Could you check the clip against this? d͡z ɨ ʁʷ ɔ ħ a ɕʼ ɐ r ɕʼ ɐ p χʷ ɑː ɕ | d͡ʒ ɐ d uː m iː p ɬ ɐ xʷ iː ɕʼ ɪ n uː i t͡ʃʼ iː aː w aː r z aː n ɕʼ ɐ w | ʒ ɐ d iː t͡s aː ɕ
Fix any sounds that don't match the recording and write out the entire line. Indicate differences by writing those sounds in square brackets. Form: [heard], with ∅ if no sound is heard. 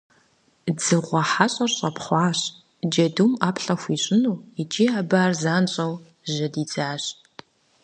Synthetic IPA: d͡z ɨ ʁʷ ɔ ħ a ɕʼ ɐ r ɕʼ ɐ p χʷ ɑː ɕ | d͡ʒ ɐ d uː m [aː] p ɬ ɐ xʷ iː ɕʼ ɪ n uː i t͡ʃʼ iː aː [b] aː r z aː n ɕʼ ɐ w | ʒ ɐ d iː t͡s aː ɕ